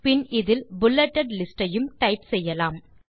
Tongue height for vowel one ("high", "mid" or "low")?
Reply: high